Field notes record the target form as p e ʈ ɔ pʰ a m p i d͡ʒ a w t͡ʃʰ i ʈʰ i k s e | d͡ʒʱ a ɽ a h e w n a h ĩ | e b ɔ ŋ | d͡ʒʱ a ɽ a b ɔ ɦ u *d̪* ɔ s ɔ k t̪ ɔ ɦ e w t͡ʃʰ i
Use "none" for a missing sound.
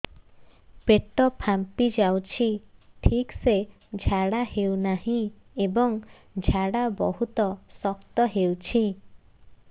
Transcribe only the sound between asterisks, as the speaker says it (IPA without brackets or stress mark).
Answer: t̪